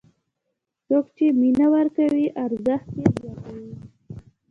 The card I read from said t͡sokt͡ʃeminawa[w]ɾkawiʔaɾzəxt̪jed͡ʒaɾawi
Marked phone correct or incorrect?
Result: incorrect